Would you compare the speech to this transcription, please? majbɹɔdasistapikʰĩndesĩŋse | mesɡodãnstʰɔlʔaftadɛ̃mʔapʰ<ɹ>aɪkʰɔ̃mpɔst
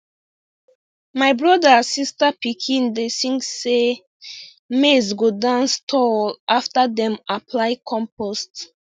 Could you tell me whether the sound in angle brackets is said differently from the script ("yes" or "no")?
yes